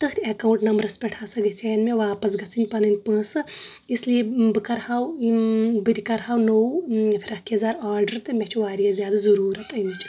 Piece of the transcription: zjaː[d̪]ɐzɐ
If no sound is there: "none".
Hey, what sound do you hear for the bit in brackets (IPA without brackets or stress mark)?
d̪